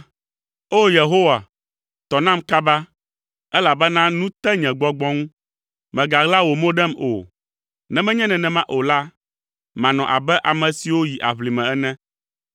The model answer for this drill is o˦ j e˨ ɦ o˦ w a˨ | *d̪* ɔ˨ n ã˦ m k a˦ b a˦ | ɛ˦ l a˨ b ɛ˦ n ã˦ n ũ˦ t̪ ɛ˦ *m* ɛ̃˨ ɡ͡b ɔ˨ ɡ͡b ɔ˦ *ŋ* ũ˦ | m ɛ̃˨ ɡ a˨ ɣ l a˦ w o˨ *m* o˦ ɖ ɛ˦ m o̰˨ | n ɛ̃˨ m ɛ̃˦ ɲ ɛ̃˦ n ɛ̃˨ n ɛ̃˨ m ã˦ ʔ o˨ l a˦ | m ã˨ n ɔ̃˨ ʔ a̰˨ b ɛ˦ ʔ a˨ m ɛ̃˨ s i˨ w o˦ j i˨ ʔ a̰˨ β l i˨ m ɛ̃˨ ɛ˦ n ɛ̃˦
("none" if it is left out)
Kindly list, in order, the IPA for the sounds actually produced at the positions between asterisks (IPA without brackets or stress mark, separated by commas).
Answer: t̪, ɲ, ŋ, m